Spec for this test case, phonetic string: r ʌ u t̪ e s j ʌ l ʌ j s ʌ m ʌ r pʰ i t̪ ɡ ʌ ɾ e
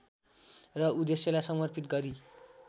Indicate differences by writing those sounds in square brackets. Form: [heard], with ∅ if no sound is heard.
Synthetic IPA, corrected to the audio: r ʌ u [d̪] e s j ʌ l [a] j s ʌ m ʌ r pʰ i t̪ ɡ ʌ ɾ [i]